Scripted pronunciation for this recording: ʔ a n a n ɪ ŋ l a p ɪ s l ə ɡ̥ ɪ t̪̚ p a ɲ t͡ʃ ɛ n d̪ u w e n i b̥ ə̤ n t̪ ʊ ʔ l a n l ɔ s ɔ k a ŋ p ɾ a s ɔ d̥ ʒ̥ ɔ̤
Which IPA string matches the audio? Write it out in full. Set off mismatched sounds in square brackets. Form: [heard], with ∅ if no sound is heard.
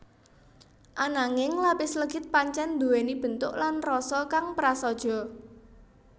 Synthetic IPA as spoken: ʔ a n a [ŋ] ɪ ŋ l a p ɪ s l ə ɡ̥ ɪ t̪̚ p a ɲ t͡ʃ ɛ n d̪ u w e n i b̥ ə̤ n t̪ ʊ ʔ l a n [r] ɔ s ɔ k a ŋ p ɾ a s ɔ d̥ ʒ̥ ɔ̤